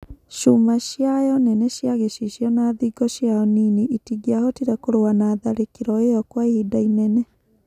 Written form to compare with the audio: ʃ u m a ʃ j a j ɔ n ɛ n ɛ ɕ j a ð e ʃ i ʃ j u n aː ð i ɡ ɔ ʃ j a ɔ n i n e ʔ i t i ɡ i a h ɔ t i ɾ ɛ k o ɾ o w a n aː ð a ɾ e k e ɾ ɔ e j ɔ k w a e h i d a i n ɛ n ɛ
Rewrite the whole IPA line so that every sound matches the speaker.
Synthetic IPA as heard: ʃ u m a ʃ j a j ɔ n ɛ n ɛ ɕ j a ɣ e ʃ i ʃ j ɔ n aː ð i ɡ ɔ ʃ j a ɔ n i n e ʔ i t i ɡ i a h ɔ t i ɾ ɛ k o ɾ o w a n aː ð a ɾ e k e ɾ ɔ e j ɔ k w a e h i d a i n ɛ n ɛ